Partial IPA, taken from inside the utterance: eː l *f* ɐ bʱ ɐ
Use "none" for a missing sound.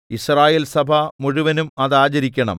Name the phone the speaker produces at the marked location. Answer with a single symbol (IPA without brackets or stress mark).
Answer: s